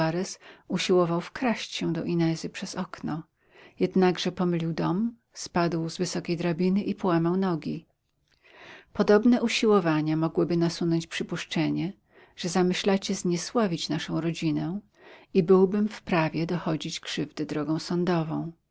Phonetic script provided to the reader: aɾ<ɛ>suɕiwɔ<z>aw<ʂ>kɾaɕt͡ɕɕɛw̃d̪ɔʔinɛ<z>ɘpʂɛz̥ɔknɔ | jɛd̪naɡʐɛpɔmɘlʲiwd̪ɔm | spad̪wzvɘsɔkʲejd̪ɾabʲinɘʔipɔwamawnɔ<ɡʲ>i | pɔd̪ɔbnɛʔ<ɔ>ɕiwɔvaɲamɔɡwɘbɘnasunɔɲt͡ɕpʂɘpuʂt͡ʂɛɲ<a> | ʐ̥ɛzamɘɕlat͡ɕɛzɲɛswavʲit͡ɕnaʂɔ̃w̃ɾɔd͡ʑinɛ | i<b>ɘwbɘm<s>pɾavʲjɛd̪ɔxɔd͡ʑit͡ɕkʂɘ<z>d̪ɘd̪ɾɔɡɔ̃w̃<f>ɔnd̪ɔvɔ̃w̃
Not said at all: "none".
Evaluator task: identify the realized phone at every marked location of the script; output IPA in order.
ɛ, v, f, z, ɡʲ, u, ɛ, b, f, v, s

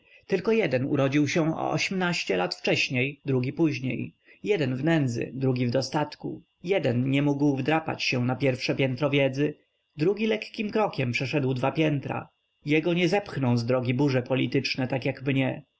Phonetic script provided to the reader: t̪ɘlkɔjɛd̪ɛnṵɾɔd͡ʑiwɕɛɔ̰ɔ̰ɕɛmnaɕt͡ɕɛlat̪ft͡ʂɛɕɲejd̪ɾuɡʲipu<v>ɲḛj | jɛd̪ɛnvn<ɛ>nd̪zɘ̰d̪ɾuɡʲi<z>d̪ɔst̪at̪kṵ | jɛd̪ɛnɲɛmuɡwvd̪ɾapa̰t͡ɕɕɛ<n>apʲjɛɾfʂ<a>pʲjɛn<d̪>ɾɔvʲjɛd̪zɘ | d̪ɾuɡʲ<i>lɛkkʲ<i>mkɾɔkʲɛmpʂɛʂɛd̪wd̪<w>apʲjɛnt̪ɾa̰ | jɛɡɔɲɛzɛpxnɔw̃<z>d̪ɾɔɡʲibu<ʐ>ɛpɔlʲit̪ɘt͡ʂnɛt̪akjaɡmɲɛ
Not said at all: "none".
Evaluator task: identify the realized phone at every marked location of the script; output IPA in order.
ʑ, ɛ, v, n, ɛ, t̪, i, i, v, z, ʐ

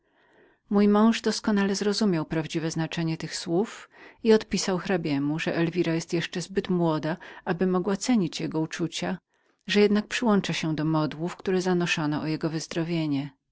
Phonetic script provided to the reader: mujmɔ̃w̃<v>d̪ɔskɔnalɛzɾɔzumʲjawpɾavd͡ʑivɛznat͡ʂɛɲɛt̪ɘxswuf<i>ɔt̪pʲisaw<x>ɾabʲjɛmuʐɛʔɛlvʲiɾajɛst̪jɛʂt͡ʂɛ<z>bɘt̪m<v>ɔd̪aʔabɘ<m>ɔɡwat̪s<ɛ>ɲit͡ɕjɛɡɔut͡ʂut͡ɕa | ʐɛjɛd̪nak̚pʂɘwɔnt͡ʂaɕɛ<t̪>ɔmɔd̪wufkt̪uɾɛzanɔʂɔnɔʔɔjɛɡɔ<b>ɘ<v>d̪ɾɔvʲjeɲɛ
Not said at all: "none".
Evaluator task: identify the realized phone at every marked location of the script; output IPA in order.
ʐ, i, x, z, w, m, ɛ, d̪, v, z

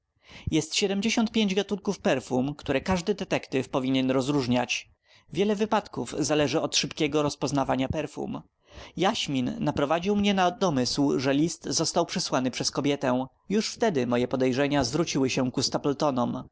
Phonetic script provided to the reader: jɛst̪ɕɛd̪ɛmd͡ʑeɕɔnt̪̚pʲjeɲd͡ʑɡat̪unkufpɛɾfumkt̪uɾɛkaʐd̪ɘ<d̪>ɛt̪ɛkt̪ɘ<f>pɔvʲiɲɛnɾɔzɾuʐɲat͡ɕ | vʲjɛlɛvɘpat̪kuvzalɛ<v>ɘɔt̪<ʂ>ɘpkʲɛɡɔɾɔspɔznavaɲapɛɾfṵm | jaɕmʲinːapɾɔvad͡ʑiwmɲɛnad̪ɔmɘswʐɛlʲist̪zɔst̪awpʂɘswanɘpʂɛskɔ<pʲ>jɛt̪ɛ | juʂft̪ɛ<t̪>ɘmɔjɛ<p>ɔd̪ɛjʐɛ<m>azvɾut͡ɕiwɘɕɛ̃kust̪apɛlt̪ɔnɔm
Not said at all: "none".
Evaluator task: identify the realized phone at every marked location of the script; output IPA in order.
d̪, f, ʐ, ʂ, bʲ, d̪, p, ɲ

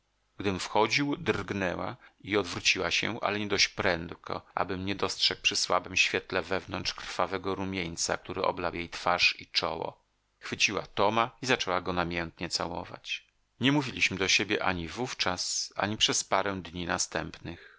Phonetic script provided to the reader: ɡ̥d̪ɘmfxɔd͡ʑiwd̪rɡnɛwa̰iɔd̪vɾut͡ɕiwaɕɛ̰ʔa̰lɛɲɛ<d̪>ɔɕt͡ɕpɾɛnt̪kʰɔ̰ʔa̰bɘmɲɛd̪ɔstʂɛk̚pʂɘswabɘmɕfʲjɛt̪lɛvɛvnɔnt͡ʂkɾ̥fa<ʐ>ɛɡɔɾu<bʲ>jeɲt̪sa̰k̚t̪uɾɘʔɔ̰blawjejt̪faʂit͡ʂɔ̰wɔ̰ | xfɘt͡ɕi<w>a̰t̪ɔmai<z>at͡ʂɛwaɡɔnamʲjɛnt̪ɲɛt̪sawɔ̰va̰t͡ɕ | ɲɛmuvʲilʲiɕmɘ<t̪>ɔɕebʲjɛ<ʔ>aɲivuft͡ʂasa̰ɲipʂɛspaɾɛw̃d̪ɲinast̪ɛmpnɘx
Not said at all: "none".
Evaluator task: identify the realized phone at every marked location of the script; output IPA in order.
d̪, v, mʲ, w, z, d̪, ʔ

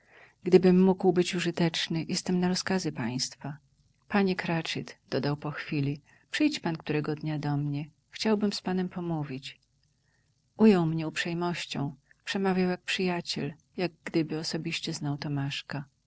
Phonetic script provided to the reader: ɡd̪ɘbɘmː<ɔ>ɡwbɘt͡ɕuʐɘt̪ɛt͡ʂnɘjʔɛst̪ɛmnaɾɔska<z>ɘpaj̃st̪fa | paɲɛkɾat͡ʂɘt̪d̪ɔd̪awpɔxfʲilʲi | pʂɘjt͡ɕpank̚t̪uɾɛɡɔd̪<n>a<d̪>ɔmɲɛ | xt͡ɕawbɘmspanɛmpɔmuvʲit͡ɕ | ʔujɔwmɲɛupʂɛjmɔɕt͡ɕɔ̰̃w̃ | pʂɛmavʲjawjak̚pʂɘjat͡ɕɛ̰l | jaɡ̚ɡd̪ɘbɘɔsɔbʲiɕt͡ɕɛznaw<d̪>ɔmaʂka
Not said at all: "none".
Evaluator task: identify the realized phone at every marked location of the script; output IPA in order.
u, z, ɲ, d̪, t̪

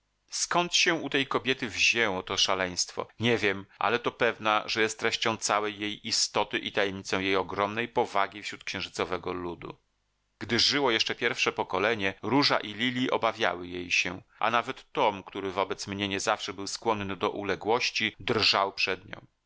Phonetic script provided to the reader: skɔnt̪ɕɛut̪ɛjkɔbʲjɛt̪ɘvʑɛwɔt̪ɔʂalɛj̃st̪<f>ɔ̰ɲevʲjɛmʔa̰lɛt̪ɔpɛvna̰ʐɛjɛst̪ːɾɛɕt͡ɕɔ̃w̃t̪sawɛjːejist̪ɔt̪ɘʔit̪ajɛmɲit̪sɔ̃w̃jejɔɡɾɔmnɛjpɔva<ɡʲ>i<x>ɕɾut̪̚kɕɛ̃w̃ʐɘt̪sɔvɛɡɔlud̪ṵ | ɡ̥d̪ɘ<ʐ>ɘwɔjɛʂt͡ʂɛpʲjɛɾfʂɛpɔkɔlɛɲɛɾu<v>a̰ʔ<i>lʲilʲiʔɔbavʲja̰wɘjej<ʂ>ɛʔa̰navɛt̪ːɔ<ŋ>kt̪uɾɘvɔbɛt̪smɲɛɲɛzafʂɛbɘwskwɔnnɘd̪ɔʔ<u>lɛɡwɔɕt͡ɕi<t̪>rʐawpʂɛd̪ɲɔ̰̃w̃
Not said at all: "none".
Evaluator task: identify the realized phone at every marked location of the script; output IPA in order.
f, ɡʲ, f, ʐ, ʐ, i, ɕ, m, u, d̪

